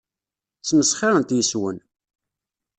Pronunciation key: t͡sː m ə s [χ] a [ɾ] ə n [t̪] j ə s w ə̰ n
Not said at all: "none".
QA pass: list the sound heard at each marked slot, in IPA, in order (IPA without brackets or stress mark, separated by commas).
χ, ɾ, t̪